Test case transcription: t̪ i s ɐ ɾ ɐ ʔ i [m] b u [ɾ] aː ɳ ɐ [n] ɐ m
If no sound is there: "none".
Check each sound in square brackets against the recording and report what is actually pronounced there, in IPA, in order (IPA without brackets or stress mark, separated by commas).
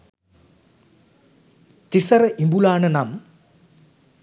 m, l, n